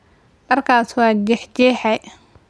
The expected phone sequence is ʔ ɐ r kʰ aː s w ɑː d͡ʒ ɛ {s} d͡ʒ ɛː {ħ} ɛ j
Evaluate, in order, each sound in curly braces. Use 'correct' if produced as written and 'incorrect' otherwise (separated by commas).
incorrect, correct